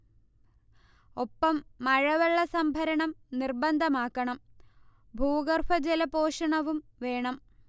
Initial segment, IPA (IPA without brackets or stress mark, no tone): o̞